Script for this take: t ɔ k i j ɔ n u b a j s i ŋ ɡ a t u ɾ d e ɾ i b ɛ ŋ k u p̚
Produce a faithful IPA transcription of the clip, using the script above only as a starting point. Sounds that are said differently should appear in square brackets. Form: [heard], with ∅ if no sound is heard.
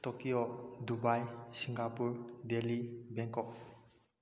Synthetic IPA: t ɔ k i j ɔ [d] u b a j s i ŋ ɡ a [p] u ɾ d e [l] i b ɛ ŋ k [ɔ] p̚